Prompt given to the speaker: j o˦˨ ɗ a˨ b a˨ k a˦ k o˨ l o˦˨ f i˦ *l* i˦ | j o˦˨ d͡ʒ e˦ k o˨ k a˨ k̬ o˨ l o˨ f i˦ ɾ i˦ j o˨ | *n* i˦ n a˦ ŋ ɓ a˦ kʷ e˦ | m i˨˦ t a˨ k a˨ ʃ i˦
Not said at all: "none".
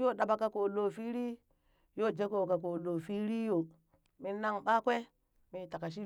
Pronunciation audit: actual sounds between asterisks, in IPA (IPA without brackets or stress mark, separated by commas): ɾ, m